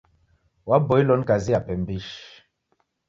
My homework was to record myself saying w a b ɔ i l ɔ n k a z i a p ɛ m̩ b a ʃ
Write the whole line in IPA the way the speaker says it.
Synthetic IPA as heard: w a b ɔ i l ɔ n k a z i a p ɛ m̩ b i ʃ